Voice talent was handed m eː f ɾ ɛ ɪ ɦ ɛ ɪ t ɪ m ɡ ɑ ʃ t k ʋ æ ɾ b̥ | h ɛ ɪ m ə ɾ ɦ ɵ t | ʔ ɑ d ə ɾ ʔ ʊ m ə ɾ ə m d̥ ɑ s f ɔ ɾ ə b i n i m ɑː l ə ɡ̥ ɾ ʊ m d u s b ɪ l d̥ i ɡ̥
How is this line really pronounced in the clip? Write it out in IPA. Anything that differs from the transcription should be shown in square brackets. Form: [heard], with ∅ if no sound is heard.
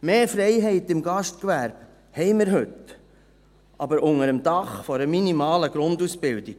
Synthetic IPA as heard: m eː f ɾ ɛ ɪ ɦ ɛ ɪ t ɪ m ɡ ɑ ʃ t k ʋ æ ɾ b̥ | h ɛ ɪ m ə ɾ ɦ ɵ t | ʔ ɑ [b] ə ɾ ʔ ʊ [ŋ] ə ɾ ə m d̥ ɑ [χ] f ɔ ɾ ə [m] i n i m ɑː l ə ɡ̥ ɾ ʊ [n] d u s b ɪ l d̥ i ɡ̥

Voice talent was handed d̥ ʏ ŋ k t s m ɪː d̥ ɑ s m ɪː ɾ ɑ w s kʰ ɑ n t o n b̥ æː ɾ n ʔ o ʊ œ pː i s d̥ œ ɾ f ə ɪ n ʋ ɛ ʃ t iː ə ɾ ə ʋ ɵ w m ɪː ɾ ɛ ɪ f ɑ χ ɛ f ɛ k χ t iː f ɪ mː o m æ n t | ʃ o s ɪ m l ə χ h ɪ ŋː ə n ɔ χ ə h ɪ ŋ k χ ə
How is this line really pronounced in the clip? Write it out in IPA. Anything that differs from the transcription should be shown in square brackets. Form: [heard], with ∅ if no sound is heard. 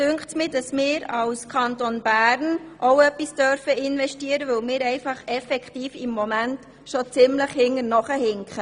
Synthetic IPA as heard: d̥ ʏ ŋ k t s m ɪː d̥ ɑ s m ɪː ɾ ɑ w s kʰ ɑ n t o n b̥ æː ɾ n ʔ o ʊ œ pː i s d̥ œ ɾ f ə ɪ n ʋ ɛ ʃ t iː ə ɾ ə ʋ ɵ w m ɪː ɾ ɛ ɪ f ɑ χ ɛ f ɛ k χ t iː f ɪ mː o m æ n t | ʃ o [t͡s] ɪ m l ə χ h ɪ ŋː ə n ɔ χ ə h ɪ ŋ k χ ə

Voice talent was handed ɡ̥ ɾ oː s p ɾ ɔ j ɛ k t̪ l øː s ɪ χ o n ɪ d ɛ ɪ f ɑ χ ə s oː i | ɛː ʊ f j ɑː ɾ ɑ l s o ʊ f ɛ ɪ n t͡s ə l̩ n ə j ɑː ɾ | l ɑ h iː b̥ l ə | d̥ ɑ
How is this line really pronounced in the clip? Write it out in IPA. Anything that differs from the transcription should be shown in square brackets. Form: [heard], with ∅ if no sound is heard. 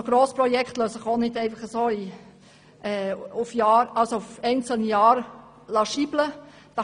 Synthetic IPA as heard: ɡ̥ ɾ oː s p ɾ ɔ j ɛ k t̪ l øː s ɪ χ o n ɪ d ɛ ɪ f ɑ χ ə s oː i | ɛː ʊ f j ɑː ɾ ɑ l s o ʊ f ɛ ɪ n t͡s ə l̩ n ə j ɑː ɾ | l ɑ [ʃ] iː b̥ l ə | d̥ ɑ

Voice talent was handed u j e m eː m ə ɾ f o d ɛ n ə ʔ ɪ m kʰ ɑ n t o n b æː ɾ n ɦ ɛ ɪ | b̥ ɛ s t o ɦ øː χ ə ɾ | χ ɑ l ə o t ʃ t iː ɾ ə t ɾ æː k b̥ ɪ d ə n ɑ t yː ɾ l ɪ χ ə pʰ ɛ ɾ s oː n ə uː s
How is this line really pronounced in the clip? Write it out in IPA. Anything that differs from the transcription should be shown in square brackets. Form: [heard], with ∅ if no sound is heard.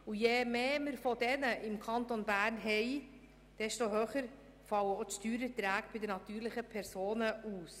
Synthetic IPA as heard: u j e m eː m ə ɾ f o d ɛ n ə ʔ ɪ m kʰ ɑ n t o n b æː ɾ n ɦ ɛ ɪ | [d̥] ɛ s t o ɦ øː χ ə ɾ | [f] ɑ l ə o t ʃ t [yː] ɾ ə t ɾ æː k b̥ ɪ d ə n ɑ t yː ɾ l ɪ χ ə pʰ ɛ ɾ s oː n ə uː s

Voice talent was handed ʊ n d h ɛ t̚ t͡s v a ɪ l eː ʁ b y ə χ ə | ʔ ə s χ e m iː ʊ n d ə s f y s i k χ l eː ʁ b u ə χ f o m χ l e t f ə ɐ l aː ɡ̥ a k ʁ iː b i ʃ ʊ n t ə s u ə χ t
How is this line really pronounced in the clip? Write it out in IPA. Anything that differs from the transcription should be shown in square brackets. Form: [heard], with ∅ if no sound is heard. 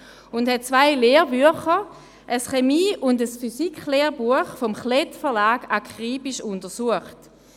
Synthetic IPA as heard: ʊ n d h ɛ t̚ t͡s v a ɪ l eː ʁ b y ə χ ə | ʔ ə s χ e m iː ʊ n d ə s f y s i k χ l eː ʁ b u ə χ f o m χ l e t f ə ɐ l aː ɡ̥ a k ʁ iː b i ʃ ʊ n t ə s u ə χ t

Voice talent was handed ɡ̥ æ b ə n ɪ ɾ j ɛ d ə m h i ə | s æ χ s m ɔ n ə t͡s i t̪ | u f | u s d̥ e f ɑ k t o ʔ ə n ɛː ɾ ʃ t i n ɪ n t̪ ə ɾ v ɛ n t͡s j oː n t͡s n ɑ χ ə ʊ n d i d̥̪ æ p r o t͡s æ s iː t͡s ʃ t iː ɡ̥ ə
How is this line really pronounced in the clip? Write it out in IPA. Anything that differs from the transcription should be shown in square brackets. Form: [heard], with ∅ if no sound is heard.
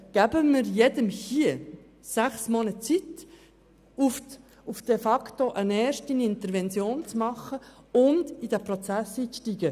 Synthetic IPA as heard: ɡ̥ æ b ə [m] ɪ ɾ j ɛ d ə m h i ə | s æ χ s m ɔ n ə t͡s i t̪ | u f | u [f] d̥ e f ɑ k t o ʔ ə n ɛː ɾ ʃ t i n ɪ n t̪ ə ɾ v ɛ n t͡s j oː n t͡s [m] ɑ χ ə ʊ n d i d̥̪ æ p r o t͡s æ s iː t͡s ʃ t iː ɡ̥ ə

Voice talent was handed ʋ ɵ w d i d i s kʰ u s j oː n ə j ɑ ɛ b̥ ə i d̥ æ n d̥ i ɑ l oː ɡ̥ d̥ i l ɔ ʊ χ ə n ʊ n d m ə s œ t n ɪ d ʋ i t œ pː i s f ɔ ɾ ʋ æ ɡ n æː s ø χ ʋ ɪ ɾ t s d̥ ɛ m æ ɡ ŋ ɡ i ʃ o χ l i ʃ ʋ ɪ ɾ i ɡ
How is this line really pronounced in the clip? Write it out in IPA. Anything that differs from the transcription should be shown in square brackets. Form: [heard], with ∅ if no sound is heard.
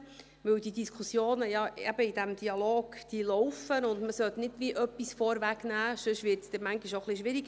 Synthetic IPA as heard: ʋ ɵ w d i d i s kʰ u s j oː n ə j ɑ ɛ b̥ ə i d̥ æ [m] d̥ i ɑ l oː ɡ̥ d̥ i l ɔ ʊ [f] ə n ʊ n d m ə s œ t n ɪ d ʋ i [ʔ] œ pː i s f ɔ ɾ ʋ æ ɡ n æː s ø [ʃ] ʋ ɪ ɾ t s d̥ ɛ m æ [∅] ŋ ɡ i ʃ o χ l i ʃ ʋ ɪ ɾ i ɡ

